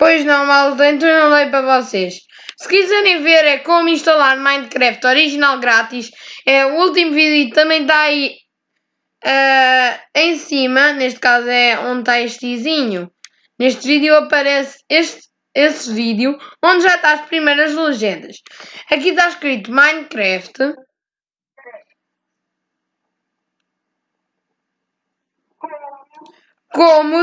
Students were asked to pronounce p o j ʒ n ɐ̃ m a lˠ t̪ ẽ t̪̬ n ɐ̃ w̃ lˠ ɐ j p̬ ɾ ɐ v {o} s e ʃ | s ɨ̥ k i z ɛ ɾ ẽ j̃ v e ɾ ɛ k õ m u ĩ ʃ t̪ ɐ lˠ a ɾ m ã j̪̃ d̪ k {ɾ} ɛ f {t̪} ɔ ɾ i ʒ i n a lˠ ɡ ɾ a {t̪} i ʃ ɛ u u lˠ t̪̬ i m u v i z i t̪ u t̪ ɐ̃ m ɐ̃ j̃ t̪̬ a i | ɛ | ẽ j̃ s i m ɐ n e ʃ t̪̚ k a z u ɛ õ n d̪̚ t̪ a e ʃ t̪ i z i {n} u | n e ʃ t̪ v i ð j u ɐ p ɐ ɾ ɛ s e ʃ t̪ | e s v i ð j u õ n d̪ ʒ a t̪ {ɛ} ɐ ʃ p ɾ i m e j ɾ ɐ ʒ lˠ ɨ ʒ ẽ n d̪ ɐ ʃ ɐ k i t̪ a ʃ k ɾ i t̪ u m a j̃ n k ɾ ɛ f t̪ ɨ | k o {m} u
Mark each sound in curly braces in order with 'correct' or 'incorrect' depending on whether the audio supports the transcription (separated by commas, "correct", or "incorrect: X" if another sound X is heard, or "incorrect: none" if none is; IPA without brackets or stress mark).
incorrect: ɔ, correct, correct, correct, incorrect: ɲ, incorrect: a, correct